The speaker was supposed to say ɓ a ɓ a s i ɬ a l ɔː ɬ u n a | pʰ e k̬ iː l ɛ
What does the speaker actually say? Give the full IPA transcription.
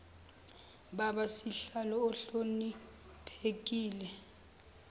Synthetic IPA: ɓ a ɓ a s i ɬ a l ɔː ɬ o n i | pʰ e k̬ iː l ɛ